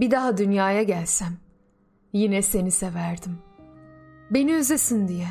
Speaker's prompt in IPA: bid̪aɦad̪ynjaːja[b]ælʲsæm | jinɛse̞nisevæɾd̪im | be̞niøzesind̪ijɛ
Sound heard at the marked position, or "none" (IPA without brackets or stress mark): ɟ